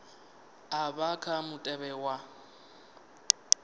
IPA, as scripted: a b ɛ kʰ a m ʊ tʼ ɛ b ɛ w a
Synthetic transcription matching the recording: a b a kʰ a m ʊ tʼ ɛ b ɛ w a